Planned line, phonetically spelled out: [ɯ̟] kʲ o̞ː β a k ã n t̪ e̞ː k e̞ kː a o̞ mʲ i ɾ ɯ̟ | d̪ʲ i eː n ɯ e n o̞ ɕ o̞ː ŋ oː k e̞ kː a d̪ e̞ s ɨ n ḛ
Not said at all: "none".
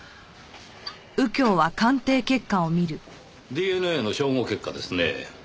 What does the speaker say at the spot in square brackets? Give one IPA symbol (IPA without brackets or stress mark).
ɯ̟